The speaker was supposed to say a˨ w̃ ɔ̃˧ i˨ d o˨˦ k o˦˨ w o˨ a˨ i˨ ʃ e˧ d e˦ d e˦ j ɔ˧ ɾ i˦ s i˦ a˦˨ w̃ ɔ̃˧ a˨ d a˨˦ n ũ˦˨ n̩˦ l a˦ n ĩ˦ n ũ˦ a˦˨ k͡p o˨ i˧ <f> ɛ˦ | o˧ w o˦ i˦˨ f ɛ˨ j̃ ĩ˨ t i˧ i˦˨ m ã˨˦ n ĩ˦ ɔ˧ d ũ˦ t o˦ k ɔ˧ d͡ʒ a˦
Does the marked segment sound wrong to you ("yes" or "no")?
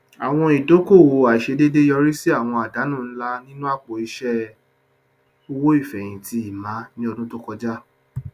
yes